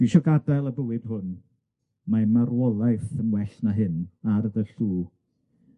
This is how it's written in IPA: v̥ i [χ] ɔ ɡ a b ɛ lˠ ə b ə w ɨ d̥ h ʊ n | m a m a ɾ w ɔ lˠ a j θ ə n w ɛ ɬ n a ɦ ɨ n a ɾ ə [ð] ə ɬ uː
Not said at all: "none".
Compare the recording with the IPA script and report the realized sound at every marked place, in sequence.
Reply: ʃ, ð

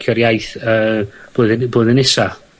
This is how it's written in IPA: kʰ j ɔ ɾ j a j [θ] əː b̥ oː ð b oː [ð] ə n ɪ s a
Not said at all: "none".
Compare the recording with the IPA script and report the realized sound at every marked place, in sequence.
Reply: θ, ð

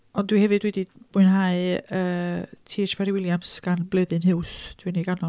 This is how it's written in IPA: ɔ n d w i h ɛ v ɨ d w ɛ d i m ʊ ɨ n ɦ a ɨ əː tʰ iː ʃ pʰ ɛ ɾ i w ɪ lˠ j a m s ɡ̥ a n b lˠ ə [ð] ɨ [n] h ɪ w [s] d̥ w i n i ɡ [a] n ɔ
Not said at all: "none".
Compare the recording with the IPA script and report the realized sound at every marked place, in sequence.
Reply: ð, n, s, a

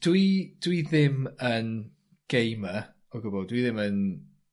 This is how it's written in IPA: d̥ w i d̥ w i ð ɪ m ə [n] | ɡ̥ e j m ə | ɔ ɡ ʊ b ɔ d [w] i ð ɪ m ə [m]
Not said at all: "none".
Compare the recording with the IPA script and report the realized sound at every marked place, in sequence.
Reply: n, w, n

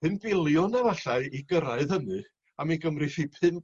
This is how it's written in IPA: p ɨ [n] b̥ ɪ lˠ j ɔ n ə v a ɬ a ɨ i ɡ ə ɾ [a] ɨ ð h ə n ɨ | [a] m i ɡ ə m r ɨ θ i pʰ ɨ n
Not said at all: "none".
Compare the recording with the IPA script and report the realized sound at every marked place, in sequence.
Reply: n, a, a

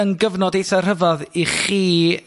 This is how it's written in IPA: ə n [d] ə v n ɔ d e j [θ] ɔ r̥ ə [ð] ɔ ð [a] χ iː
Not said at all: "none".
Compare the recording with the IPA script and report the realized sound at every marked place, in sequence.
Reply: ɡ, θ, v, i

